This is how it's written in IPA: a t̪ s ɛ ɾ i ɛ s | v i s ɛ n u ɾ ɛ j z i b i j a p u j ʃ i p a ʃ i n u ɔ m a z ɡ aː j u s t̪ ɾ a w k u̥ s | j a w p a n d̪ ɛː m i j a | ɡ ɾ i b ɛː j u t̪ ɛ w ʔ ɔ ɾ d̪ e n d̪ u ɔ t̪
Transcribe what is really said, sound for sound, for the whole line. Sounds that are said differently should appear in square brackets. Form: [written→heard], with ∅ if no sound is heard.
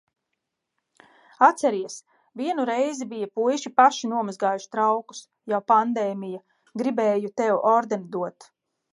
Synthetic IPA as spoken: a t̪ s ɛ ɾ i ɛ s | v i [s→∅] ɛ n u ɾ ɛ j z i b i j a p u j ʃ i p a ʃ i n u ɔ m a z ɡ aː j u [s→ʃ] t̪ ɾ a w k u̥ s | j a w p a n d̪ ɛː m i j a | ɡ ɾ i b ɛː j u t̪ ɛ w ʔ ɔ ɾ d̪ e n d̪ u ɔ t̪